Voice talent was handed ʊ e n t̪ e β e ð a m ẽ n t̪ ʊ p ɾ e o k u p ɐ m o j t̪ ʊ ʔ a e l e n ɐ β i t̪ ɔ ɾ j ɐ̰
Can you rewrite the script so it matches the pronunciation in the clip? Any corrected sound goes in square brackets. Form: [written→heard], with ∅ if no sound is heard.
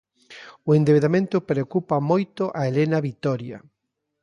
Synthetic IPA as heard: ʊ e n [t̪→d̪] e β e ð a m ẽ n t̪ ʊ p ɾ e o k u p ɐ m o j t̪ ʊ ʔ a e l e n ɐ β i t̪ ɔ ɾ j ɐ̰